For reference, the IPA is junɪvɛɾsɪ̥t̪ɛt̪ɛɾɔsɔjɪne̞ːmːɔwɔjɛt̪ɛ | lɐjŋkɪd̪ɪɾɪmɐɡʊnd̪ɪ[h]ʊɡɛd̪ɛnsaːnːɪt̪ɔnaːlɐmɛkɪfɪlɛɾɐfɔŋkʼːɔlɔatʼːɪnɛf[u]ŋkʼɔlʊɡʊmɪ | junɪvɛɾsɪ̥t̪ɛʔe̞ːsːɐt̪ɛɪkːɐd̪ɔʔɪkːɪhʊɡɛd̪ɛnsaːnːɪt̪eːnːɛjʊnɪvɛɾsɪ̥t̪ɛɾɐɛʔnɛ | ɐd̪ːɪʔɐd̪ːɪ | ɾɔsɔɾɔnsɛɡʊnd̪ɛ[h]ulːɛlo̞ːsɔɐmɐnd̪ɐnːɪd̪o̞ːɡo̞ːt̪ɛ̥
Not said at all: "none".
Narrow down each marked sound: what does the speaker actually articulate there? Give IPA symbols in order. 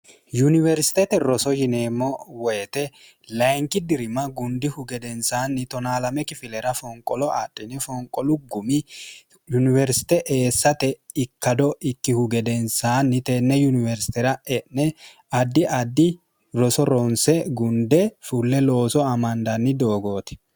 h, ɔ, f

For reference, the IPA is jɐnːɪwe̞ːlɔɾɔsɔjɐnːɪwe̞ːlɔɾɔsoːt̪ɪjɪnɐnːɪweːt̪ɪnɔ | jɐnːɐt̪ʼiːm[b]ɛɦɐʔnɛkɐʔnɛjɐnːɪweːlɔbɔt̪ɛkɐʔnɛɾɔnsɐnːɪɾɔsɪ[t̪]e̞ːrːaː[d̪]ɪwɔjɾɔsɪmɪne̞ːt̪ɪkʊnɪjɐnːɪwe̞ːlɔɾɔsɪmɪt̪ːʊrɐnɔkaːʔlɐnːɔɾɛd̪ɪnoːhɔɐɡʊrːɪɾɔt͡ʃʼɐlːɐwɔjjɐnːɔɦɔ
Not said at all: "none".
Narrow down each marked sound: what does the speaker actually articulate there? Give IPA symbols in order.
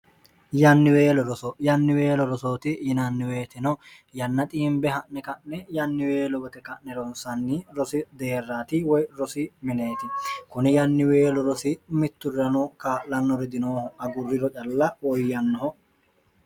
b, d̪, t̪

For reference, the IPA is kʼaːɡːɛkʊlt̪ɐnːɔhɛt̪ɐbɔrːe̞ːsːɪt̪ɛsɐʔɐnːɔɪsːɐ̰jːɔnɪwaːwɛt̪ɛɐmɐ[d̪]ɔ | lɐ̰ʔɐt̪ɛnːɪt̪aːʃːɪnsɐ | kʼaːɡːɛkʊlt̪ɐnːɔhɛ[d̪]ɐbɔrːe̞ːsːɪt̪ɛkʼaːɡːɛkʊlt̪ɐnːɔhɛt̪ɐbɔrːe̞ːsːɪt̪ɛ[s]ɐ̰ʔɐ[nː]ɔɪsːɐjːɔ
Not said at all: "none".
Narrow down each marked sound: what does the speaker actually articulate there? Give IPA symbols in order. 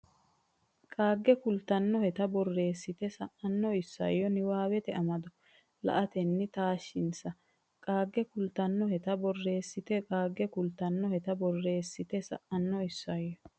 d̪, t̪, s, nː

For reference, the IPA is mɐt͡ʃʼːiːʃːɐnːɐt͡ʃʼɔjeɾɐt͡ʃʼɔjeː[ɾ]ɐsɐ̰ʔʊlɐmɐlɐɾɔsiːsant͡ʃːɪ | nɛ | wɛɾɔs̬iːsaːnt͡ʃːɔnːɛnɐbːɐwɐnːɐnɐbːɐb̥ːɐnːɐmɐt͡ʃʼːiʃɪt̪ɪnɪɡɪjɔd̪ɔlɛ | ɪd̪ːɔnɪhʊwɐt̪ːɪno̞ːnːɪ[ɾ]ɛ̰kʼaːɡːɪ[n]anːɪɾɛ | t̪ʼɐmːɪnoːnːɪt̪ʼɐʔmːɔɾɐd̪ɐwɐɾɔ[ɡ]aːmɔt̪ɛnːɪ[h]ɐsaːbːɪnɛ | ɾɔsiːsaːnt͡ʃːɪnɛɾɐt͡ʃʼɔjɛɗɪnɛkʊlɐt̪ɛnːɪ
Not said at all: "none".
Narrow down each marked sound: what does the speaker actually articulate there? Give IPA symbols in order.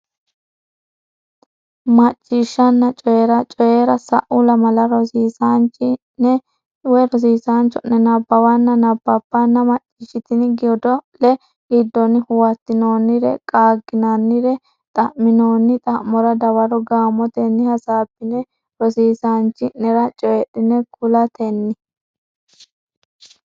ɾ, ɾ, n, ɡ, h

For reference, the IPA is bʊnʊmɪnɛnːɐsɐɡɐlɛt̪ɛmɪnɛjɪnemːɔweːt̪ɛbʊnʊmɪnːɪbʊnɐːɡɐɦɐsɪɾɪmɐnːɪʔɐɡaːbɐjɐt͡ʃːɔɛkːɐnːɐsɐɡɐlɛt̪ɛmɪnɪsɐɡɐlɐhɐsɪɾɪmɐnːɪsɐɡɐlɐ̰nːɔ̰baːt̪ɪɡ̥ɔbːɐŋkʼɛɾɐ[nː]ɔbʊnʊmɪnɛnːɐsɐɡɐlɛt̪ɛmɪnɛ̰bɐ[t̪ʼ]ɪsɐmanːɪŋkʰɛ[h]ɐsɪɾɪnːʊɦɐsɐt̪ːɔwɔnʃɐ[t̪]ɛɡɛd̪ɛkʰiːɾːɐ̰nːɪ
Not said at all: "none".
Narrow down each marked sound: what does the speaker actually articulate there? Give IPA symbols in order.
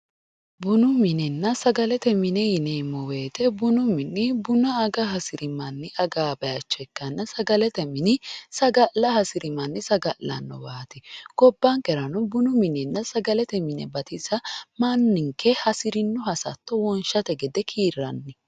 n, t̪, h, t̪

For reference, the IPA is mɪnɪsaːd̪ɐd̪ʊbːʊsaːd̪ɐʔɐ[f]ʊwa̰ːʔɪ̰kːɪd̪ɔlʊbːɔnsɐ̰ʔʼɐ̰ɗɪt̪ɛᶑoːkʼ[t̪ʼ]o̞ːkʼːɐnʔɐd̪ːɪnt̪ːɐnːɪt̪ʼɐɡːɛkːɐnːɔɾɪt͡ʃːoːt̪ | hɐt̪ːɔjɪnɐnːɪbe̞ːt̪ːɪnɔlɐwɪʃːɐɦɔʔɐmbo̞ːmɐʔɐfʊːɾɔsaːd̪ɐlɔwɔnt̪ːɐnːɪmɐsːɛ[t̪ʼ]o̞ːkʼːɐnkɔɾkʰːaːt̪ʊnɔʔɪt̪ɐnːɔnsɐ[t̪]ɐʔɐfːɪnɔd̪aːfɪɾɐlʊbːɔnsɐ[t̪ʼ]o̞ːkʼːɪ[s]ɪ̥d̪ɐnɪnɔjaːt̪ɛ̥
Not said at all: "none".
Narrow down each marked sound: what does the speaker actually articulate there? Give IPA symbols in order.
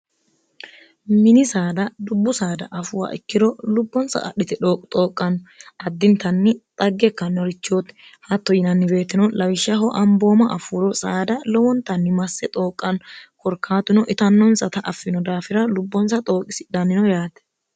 f, t̪ʼ, t̪ʼ, t̪, t̪ʼ, s

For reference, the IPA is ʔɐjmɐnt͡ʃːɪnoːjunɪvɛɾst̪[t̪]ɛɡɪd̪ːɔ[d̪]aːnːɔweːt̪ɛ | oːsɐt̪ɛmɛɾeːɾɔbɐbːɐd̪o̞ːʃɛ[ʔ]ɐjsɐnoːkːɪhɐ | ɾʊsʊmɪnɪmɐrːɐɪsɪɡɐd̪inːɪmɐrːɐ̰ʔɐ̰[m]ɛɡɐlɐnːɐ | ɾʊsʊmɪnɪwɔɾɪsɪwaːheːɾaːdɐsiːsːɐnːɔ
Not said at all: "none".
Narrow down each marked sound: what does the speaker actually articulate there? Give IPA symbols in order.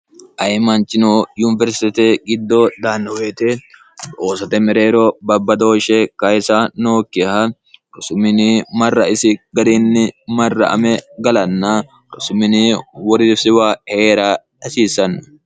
t̪, d̪, k, m

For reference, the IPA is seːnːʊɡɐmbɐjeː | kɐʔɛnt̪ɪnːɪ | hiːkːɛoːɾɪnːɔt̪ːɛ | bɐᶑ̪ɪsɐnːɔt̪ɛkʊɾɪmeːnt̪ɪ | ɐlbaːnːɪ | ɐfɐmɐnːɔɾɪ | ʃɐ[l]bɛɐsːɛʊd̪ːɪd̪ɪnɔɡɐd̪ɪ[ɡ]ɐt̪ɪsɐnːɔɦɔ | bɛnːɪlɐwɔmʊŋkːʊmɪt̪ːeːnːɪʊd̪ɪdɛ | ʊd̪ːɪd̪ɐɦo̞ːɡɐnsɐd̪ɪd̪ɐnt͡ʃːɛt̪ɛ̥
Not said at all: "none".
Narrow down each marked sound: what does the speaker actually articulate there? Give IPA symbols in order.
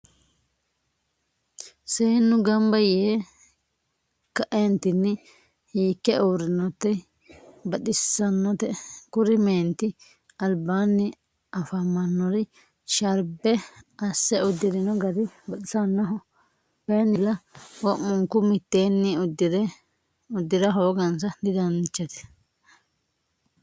ɾ, b

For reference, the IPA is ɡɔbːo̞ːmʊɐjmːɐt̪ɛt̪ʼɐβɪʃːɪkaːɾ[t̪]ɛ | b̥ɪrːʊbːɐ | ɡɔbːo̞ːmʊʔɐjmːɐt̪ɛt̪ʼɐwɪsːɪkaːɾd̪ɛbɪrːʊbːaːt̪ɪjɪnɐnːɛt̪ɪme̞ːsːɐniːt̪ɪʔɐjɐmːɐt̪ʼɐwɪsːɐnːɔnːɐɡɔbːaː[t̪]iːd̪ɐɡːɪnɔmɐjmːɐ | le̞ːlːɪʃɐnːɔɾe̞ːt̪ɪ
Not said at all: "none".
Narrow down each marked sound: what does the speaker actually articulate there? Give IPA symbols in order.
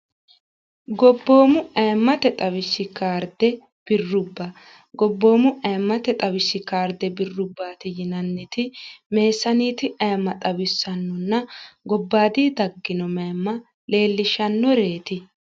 d̪, d̪

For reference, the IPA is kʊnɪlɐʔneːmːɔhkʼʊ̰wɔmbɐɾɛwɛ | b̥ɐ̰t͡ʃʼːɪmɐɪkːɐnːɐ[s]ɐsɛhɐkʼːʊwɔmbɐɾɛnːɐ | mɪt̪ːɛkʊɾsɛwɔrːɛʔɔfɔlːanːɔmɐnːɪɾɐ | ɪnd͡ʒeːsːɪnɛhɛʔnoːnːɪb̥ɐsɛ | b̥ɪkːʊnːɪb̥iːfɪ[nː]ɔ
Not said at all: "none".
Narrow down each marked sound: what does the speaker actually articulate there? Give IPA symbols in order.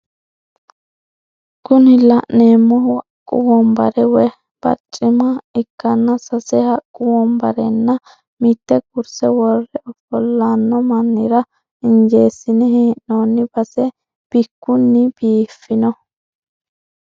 s, n

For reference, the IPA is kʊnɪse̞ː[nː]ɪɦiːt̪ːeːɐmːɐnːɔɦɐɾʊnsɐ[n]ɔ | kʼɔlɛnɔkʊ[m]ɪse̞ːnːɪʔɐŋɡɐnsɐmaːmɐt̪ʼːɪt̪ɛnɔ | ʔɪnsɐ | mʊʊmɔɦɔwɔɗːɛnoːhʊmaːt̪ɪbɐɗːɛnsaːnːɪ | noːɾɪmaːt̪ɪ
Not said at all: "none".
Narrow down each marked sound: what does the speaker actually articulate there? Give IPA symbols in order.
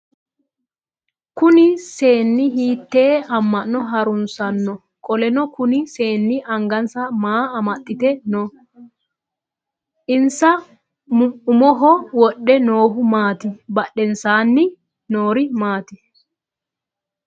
nː, nː, n

